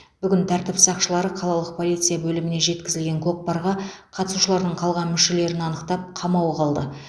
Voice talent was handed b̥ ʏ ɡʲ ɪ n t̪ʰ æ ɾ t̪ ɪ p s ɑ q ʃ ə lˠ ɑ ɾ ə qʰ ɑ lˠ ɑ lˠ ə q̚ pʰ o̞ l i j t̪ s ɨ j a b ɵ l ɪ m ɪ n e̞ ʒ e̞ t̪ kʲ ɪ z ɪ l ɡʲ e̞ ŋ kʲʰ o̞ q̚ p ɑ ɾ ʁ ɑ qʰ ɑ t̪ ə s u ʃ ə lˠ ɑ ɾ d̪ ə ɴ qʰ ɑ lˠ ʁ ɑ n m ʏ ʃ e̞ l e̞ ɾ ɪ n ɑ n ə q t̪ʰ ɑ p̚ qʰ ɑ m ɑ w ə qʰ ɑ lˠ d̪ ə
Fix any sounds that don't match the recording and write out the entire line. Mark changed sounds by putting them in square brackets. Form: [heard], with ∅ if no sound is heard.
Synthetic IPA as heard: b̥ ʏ ɡʲ ɪ n t̪ʰ æ ɾ t̪ ɪ p s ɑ q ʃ ə lˠ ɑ ɾ ə qʰ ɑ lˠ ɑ lˠ ə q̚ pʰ o̞ l i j t̪ s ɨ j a b ɵ l ɪ m ɪ n e̞ ʒ e̞ t̪ kʲ ɪ z ɪ l ɡʲ e̞ ŋ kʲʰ o̞ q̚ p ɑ ɾ ʁ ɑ qʰ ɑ t̪ ə s u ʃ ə lˠ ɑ ɾ d̪ ə ɴ qʰ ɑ lˠ ʁ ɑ n m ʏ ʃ e̞ l e̞ ɾ ɪ n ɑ n ə q [t̪] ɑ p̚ qʰ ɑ m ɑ w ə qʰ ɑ lˠ d̪ ə